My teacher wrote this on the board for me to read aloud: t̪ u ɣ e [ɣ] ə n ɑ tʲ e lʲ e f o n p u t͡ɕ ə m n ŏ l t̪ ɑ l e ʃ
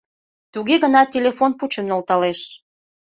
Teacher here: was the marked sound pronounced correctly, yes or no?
yes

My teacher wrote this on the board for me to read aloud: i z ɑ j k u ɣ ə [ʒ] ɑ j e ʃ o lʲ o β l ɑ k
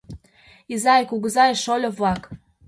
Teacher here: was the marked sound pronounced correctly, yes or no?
no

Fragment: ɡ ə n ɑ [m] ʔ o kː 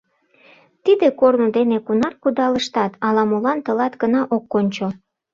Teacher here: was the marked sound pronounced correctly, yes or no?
no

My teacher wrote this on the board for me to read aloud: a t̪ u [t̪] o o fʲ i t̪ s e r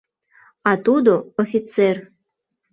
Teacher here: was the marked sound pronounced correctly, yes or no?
no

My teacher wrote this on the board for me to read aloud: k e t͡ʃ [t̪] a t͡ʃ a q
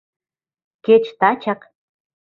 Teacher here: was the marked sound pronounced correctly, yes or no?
yes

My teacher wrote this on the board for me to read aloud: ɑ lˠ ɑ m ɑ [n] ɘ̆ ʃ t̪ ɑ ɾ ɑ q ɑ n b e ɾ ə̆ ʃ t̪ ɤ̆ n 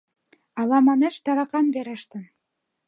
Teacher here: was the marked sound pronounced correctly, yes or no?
yes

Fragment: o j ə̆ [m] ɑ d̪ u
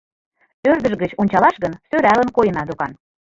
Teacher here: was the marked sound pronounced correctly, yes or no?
no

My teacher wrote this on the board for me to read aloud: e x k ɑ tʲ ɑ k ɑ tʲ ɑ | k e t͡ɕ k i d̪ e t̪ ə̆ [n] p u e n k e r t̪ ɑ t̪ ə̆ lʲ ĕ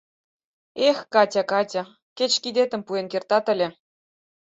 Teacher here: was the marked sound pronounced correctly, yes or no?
no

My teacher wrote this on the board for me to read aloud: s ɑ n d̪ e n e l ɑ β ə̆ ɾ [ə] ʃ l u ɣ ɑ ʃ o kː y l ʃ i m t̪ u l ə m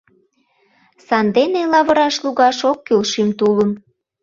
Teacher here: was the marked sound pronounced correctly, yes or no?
no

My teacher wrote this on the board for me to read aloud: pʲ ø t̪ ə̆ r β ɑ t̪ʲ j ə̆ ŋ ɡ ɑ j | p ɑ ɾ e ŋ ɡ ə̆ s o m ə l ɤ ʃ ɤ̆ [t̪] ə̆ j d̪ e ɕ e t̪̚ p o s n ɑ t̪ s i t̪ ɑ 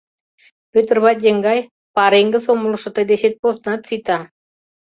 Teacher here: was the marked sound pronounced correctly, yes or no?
yes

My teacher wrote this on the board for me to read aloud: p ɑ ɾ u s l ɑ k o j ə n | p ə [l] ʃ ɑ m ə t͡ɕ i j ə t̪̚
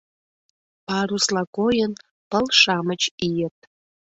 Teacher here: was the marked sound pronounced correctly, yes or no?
yes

